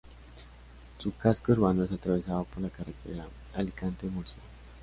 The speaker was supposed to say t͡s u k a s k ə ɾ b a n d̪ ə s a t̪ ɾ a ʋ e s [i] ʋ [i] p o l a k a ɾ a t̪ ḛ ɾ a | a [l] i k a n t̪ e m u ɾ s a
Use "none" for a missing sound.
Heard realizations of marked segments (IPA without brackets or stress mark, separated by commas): a, a, l